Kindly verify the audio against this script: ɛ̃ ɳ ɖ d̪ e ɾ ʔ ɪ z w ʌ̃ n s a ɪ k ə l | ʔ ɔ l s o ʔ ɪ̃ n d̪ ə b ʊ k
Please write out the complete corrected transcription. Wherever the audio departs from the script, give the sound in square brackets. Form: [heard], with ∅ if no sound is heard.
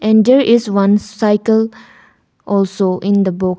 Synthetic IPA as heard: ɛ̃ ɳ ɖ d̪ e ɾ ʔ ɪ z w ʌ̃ n s a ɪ k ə l | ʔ ɔ l s o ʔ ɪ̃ n d̪ ə b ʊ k